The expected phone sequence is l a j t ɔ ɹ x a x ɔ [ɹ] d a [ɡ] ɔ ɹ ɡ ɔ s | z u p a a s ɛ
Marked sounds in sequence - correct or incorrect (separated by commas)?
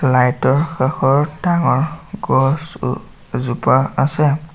correct, incorrect